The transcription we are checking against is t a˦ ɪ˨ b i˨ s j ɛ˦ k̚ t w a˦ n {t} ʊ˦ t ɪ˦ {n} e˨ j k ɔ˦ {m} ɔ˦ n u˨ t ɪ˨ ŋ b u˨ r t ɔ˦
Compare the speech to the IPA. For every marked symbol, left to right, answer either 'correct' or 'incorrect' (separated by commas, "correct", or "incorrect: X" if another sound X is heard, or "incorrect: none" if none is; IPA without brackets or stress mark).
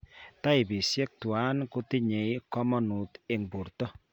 incorrect: k, incorrect: ɲ, correct